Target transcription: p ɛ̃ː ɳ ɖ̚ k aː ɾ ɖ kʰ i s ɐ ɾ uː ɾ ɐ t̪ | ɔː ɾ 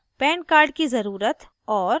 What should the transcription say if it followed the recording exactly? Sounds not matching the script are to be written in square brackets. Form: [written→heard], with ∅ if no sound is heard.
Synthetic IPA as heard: p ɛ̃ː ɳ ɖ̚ k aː ɾ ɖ [kʰ→k] i [s→z] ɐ ɾ uː ɾ [ɐ→ə] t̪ | ɔː ɾ